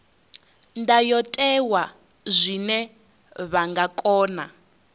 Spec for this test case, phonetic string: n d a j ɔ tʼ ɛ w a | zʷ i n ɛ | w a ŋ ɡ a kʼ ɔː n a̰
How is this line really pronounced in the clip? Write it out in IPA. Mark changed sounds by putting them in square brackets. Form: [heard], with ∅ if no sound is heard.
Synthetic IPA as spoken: n d a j ɔ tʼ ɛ w a | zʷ i n ɛ | [β] a ŋ ɡ a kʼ ɔː n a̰